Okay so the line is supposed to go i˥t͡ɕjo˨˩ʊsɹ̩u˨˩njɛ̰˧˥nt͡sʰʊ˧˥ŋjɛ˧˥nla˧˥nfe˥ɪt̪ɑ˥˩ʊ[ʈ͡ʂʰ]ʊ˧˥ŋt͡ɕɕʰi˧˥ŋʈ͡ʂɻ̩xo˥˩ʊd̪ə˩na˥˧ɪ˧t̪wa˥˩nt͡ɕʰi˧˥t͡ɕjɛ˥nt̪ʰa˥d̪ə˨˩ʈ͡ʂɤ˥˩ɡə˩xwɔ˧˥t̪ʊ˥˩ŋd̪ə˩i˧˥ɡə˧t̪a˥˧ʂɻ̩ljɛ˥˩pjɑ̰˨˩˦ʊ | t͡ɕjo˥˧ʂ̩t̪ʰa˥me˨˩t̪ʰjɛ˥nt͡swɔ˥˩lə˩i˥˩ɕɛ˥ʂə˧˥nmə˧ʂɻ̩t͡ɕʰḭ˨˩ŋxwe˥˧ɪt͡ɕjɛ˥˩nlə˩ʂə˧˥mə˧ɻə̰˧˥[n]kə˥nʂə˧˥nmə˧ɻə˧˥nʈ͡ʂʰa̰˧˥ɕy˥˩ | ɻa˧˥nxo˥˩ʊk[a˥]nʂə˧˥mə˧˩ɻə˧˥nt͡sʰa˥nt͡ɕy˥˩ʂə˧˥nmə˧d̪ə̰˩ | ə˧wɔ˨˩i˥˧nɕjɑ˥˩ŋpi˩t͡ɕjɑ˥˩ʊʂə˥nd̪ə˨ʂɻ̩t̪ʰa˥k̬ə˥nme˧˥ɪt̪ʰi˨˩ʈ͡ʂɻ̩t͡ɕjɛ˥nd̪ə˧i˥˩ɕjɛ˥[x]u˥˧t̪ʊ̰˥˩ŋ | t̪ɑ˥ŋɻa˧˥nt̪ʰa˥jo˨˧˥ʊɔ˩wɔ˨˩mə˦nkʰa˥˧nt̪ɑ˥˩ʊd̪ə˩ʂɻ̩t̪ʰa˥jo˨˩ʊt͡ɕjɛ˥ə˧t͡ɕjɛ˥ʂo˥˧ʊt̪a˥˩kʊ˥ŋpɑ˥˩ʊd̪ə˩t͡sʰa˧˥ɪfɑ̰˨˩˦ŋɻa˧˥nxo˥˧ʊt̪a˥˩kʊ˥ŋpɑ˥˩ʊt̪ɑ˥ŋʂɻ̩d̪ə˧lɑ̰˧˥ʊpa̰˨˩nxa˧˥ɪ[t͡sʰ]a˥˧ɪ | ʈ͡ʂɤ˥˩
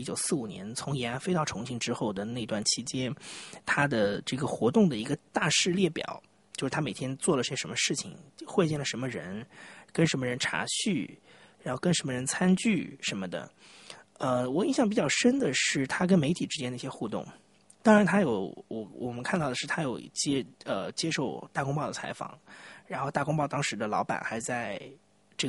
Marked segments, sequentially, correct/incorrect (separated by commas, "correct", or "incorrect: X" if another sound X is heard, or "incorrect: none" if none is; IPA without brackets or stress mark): correct, correct, incorrect: ə˥, correct, incorrect: t͡s